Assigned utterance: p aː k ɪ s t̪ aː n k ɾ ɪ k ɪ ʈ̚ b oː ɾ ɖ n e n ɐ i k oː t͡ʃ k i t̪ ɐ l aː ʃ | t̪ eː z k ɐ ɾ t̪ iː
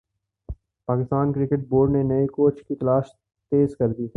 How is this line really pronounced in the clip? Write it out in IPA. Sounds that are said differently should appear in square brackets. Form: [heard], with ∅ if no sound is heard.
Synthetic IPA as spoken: p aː k ɪ s t̪ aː n k ɾ ɪ k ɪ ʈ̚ b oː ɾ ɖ n e n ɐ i k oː t͡ʃ k i t̪ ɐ l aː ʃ | t̪ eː z k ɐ ɾ [d̪] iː